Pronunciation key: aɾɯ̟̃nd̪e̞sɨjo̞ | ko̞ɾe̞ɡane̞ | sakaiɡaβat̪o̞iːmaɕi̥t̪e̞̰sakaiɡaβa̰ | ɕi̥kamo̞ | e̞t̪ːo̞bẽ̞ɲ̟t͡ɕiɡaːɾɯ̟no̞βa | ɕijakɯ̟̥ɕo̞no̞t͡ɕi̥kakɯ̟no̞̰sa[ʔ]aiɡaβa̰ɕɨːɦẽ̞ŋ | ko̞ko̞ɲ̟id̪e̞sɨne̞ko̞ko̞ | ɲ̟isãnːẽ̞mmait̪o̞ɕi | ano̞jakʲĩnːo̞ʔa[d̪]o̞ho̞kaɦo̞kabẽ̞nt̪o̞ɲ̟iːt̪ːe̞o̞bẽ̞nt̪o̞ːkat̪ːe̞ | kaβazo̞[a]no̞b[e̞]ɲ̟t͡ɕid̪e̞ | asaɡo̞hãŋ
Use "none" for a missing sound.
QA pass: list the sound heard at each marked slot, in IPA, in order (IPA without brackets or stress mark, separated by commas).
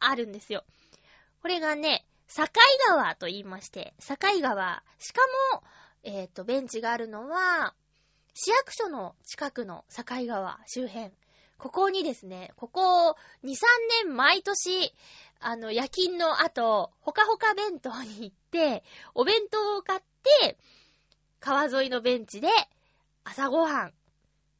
k, t̪, i, ẽ̞